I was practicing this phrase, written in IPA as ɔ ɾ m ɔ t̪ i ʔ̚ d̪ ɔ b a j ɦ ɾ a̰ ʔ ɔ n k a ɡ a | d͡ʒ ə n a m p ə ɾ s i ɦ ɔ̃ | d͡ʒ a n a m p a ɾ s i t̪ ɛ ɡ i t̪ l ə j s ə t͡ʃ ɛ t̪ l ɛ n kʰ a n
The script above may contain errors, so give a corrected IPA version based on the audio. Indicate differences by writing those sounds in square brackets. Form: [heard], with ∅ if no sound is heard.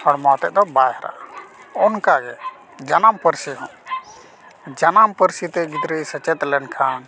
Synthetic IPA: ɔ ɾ m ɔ t̪ [ɛ] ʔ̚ d̪ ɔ b a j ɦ ɾ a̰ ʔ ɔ n k a ɡ [ɛ] | d͡ʒ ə n a m p ə ɾ s i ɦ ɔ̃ | d͡ʒ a n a m p [ə] ɾ s i t̪ ɛ ɡ i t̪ [ɾ] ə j s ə t͡ʃ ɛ t̪ l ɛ n kʰ a n